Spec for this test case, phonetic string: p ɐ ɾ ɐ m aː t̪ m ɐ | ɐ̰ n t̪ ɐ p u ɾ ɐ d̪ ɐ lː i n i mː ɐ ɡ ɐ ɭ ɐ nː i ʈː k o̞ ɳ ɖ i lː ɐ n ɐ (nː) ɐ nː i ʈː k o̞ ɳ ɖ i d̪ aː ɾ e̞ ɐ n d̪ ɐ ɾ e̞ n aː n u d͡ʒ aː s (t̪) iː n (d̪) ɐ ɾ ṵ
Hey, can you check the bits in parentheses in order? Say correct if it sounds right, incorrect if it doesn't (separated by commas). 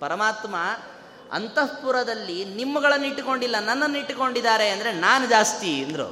correct, correct, correct